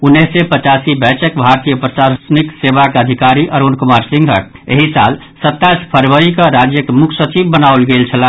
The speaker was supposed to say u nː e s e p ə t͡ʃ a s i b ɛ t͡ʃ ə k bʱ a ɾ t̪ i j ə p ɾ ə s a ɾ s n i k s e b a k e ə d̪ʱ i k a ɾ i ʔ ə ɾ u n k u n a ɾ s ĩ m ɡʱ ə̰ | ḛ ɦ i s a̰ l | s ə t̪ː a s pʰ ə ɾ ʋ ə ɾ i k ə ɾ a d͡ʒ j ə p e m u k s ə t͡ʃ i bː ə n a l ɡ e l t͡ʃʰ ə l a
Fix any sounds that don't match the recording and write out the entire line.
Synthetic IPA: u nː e s e p ə t͡ʃ a s i b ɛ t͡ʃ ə k bʱ a ɾ t̪ i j ə p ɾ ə s a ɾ s n i k s e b a k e ə d̪ʱ i k a ɾ i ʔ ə ɾ u n k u m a ɾ s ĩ ŋ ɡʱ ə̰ | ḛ ɦ i s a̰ l | s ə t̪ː a s pʰ ə ɾ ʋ ə ɾ i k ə ɾ a d͡ʒ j ə k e m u kʰ s ə t͡ʃ i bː ə n a l ɡ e l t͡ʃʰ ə l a